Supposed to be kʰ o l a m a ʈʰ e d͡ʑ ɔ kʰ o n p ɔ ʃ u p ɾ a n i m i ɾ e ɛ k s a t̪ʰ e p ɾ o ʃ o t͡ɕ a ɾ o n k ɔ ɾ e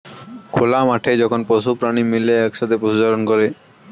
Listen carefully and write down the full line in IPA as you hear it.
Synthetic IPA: kʰ o l a m a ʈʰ e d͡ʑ ɔ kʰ o n p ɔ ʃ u p ɾ a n i m i l e ɛ k ʃ a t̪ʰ e p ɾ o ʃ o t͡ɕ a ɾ o n k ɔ ɾ e

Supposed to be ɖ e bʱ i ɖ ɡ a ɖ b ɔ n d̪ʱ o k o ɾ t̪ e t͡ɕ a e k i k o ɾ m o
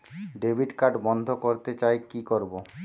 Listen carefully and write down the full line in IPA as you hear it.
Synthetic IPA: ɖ e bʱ i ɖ k a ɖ b ɔ n d̪ʱ o k o ɾ t̪ e t͡ɕ a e k i k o ɾ b o

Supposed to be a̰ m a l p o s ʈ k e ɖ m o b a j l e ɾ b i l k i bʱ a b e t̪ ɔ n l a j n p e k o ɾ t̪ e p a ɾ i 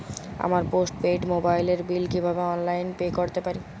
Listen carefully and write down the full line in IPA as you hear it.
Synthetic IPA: a̰ m a ɾ p o s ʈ p e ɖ m o b a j l e ɾ b i l k i bʱ a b e ɔ n l a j n p e k o ɾ t̪ e p a ɾ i

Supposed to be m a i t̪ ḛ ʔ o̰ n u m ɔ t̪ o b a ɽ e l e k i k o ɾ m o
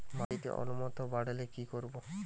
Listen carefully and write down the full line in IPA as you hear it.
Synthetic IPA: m a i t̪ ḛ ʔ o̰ n u m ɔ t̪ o b a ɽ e l e k i k o ɾ b o

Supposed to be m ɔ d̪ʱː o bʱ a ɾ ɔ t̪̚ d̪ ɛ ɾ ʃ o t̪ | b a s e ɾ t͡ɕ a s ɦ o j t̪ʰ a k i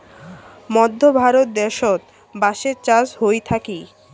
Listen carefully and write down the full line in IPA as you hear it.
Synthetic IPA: m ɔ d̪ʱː o bʱ a ɾ o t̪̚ d̪ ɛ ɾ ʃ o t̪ | b a ʃ e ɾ t͡ɕ a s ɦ o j t̪ʰ a k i

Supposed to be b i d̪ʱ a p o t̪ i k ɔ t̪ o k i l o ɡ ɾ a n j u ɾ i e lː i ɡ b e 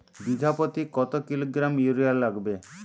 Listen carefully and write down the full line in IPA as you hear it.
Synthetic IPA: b i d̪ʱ a p o t̪ i k ɔ t̪ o k i l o ɡ ɾ a m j u ɾ i a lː a ɡ b e

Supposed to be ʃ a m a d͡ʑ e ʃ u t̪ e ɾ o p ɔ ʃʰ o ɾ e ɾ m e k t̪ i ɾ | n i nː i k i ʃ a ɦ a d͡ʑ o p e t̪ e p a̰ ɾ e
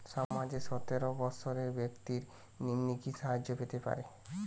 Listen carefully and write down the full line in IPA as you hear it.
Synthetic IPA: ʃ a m a d͡ʑ e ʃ ɔ t̪ e ɾ o b ɔ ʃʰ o ɾ e ɾ b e k t̪ i ɾ | n i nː i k i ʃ a ɦ a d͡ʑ o p e t̪ e p a̰ ɾ e

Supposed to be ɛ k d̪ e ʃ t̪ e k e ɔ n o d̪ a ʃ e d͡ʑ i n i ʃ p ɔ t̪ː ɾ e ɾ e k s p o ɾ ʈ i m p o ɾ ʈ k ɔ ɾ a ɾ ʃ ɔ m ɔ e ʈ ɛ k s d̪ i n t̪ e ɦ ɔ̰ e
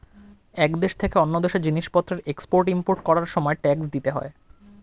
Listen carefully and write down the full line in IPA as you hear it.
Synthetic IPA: ɛ k d̪ e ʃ t̪ʰ e k e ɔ nː o d̪ e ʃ e d͡ʑ i n i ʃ p ɔ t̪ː ɾ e ɾ e k s p o ɾ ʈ i m p o ɾ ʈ k ɔ ɾ a ɾ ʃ ɔ m ɔ e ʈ ɛ k s d̪ i t̪ e ɦ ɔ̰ e

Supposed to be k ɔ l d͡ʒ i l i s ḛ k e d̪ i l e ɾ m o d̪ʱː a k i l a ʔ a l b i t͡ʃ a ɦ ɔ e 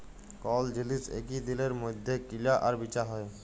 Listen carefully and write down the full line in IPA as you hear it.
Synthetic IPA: k ɔ l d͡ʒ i l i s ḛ k i d̪ i l e ɾ m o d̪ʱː e k i l a ʔ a ɾ b i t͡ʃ a ɦ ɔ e

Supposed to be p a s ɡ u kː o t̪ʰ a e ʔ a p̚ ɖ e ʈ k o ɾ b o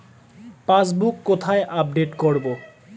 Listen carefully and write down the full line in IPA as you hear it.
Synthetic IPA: p a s b u kː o t̪ʰ a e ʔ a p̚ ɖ e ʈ k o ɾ b o

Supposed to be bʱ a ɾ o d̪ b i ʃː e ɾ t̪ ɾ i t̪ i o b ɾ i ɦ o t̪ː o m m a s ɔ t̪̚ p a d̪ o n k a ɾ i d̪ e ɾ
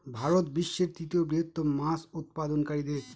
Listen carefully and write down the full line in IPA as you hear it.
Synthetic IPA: bʱ a ɾ o t̪ b i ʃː e ɾ t̪ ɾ i t̪ i o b ɾ i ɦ o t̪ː o m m a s u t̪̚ p a d̪ o n k a ɾ i d̪ e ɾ

